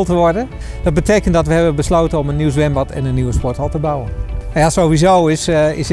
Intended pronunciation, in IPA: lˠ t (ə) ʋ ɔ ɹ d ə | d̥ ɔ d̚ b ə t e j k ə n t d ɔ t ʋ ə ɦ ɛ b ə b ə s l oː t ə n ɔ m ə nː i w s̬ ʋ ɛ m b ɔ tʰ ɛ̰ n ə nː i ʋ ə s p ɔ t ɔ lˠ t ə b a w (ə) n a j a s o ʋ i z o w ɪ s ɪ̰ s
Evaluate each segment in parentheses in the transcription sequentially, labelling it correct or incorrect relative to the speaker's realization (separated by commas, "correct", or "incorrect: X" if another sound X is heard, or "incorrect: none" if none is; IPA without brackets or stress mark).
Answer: correct, correct